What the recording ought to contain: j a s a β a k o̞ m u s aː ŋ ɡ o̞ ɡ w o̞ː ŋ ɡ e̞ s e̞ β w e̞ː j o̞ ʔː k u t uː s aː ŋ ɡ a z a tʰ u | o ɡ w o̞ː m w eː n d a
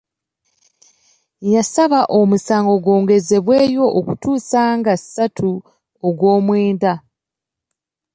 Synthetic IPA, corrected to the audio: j a s a β a ʔ o̞ m u s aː ŋ ɡ o̞ ɡ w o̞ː ŋ ɡ e̞ z e̞ β w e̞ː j o̞ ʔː k u t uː s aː ŋ ɡ a s a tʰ u | o ɡ w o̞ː m w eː n d a